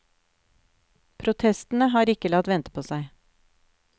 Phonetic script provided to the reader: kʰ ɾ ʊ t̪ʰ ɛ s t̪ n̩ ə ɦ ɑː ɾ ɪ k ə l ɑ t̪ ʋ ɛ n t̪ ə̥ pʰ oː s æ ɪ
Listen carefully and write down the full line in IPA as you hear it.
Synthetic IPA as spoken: pʰ ɾ ʊ t̪ʰ ɛ s t̪ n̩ ə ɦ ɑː ɾ ɪ k ə l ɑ t̪ ʋ ɛ n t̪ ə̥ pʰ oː s æ ɪ